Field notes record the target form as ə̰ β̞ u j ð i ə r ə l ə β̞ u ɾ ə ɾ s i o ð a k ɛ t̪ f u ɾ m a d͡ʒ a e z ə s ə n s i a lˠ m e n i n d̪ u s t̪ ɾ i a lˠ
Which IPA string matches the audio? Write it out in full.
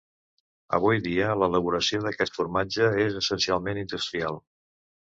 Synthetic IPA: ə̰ β̞ u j ð i ə l ə l ə β̞ u ɾ ə s i o ð ə k ɛ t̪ f u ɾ m a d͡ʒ ə e z ə s ə n s i a lˠ m e n i n d̪ u s t̪ ɾ i a lˠ